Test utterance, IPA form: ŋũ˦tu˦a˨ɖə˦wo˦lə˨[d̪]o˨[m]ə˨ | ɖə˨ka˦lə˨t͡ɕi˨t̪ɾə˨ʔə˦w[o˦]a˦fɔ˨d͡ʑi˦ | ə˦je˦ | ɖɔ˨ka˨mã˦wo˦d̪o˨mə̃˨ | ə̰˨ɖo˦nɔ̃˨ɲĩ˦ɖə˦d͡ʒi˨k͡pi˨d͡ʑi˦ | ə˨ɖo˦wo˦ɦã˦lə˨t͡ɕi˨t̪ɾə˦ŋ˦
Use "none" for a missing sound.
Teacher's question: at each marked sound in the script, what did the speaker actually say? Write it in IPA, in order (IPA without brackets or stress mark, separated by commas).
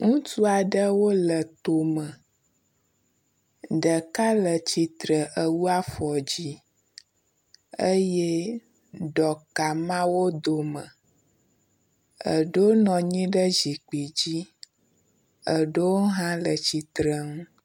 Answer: t̪, m, u˦